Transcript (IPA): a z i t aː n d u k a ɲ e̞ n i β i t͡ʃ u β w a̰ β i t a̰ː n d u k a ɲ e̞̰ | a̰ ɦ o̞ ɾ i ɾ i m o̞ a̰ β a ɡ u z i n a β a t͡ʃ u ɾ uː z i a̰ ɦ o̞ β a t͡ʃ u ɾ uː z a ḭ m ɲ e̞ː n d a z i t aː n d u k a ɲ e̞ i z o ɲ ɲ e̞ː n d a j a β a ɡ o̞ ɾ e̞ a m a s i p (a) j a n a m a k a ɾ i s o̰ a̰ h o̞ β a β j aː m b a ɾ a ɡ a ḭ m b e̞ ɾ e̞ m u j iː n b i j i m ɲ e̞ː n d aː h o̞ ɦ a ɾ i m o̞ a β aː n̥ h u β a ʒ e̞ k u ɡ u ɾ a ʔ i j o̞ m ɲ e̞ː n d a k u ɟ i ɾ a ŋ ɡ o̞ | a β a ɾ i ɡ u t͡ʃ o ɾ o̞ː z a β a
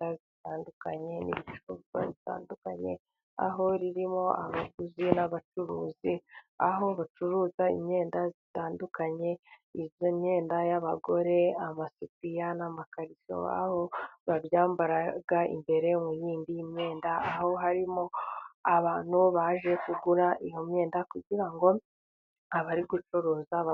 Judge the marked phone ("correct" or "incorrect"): incorrect